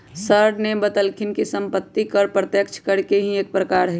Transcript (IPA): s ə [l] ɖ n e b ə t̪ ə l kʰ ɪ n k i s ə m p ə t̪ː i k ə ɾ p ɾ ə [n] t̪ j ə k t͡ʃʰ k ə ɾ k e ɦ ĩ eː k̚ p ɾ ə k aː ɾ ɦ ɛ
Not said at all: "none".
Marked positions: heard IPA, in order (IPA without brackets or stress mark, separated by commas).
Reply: ɾ, none